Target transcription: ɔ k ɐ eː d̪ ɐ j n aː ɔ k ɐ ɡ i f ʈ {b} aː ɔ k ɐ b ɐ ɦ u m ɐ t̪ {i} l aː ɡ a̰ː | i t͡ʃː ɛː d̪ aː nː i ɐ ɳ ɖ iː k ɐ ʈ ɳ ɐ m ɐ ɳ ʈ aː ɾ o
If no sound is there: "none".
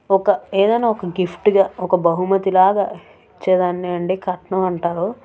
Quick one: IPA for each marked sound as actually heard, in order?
ɡ, i

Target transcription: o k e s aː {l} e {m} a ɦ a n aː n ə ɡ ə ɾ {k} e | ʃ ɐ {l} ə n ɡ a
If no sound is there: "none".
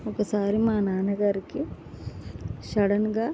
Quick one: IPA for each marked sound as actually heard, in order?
ɾ, m, k, ɽ

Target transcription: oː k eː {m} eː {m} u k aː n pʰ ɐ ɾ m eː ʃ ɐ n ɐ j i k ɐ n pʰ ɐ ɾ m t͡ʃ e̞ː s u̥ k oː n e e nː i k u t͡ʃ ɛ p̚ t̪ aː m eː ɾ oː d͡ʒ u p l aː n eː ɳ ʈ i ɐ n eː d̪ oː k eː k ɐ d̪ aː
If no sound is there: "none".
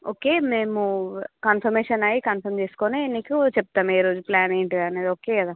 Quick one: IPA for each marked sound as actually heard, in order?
m, m

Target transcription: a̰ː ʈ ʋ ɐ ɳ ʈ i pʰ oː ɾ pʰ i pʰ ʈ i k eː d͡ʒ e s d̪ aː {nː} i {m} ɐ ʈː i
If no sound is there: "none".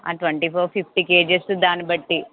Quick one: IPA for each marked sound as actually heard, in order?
n, b

